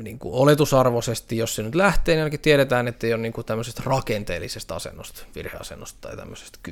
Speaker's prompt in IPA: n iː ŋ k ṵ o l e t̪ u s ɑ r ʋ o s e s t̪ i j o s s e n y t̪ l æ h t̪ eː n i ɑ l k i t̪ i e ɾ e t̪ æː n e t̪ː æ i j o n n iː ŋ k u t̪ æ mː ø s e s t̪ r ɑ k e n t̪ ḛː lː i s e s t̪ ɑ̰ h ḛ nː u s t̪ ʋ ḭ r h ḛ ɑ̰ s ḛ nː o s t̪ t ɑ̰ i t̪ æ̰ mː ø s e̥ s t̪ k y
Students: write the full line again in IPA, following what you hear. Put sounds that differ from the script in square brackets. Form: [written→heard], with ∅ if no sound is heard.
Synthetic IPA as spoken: n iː ŋ k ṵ o l e t̪ u s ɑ r ʋ o s e s t̪ i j o s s e n y t̪ l æ h t̪ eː n i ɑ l k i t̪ i e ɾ e t̪ æː n e t̪ː [æ→e] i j o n n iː ŋ k u t̪ æ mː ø s e s t̪ r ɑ k e n t̪ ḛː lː i s e s t̪ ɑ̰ [h→s] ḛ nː [u→o] s t̪ ʋ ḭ r h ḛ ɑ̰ s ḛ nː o s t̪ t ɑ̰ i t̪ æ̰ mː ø s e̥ s t̪ k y